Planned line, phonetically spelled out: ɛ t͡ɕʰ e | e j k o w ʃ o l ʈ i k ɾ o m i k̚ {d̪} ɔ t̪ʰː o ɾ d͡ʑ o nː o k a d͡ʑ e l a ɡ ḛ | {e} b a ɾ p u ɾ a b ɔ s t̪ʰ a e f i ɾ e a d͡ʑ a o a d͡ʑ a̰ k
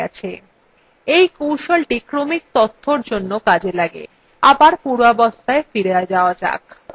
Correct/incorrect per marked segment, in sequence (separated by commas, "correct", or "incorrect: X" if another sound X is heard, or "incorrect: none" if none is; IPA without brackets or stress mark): incorrect: t̪, incorrect: a